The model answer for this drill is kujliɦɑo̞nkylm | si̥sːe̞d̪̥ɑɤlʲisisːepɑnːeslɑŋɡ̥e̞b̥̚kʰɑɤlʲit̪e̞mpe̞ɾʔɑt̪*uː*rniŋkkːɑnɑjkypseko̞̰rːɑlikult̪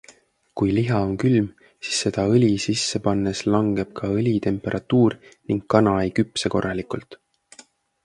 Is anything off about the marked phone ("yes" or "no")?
no